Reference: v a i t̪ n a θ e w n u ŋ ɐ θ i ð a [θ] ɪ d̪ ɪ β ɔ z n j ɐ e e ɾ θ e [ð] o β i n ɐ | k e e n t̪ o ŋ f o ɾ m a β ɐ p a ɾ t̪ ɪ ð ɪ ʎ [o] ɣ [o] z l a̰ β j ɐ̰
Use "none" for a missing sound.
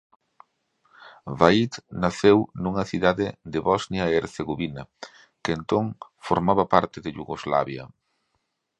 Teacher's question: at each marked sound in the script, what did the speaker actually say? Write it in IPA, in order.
ð, ɣ, u, o

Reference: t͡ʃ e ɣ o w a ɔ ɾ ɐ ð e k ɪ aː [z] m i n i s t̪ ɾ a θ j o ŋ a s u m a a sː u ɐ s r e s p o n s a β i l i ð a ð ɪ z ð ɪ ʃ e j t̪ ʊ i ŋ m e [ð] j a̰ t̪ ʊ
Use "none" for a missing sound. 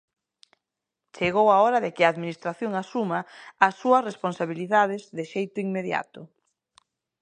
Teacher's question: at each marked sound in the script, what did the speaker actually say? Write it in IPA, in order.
ð, ð

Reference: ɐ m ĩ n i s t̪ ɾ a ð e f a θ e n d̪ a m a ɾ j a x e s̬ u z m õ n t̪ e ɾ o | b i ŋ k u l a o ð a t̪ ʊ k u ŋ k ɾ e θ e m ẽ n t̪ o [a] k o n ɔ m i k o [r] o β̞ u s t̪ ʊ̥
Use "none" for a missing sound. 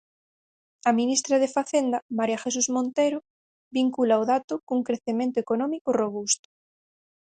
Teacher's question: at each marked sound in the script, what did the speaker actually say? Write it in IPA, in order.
e, r

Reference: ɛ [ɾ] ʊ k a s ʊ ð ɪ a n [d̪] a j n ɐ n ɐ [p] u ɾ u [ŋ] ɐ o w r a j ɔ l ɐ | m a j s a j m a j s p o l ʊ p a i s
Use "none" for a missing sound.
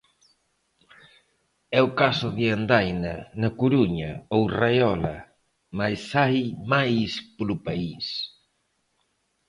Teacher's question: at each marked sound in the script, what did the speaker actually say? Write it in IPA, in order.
none, d̪, k, ɲ

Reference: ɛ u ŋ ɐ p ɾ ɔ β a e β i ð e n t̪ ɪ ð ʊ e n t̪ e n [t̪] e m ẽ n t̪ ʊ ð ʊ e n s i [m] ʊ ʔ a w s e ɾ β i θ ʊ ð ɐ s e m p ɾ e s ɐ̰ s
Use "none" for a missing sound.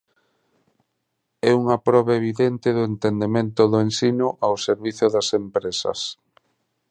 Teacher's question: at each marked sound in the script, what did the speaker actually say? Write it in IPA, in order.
d̪, n

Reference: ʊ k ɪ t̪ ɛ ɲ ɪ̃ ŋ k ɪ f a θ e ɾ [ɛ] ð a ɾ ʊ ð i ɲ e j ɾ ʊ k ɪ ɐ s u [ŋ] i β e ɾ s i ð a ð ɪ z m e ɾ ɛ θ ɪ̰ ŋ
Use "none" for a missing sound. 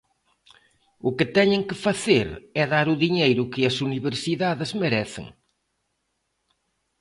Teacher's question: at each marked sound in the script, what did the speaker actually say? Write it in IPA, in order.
ɛ, n

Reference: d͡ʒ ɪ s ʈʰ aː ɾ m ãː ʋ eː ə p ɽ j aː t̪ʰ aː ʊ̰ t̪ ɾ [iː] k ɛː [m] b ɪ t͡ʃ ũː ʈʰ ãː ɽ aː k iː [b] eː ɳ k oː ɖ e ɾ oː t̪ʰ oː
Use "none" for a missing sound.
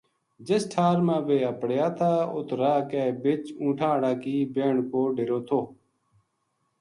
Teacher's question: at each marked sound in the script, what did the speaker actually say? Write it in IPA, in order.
aː, none, b

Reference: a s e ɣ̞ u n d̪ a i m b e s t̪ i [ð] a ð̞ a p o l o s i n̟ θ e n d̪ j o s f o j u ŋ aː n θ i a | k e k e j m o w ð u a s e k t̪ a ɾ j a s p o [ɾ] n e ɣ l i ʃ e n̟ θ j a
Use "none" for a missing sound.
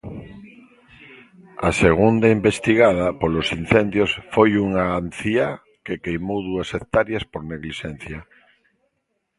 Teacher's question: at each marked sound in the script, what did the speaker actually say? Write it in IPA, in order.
ɣ, ɾ

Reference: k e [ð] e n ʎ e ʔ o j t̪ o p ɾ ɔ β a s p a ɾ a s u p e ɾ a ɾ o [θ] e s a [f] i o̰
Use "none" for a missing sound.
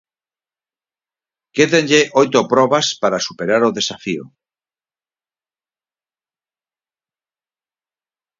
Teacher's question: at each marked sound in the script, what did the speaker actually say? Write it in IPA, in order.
ð, ð, f

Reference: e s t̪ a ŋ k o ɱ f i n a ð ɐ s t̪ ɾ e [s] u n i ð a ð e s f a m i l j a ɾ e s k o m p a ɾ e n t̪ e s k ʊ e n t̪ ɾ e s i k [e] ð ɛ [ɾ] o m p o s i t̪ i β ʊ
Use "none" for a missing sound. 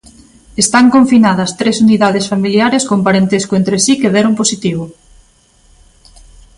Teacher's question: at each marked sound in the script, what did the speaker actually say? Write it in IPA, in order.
s, e, ɾ

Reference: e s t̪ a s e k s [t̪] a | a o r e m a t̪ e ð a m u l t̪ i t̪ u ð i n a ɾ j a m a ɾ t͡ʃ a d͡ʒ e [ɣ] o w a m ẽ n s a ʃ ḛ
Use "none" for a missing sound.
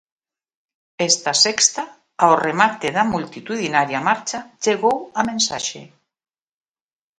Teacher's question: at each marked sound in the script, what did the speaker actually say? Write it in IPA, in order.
t̪, ɣ

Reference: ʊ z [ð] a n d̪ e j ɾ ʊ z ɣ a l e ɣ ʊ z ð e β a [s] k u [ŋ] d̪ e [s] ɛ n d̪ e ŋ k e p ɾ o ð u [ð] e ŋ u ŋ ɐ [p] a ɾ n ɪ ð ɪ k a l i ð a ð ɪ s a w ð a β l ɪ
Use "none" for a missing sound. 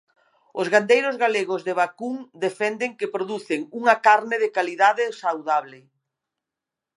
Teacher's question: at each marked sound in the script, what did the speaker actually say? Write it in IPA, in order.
ɣ, none, ŋ, f, θ, k

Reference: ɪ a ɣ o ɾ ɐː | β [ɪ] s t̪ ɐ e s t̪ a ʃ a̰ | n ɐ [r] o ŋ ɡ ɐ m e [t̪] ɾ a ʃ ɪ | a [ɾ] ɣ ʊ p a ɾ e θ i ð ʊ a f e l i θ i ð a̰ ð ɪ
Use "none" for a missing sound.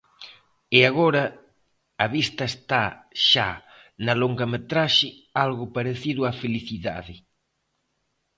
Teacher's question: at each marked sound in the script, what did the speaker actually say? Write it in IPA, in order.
i, l, t̪, l

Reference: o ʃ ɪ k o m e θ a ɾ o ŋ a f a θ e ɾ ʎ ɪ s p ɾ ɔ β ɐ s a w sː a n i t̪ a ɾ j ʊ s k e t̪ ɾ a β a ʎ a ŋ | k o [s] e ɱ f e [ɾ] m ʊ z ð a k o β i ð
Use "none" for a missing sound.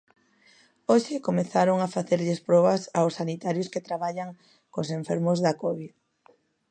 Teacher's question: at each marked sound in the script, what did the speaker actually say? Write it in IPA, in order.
s, ɾ

